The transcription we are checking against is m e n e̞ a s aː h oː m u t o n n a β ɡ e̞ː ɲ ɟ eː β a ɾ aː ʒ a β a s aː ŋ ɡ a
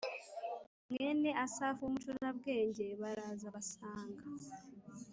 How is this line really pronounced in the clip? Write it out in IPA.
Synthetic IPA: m e n e̞ a s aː f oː m u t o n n a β ɡ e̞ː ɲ ɟ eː β a ɾ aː z a β a s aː ŋ ɡ a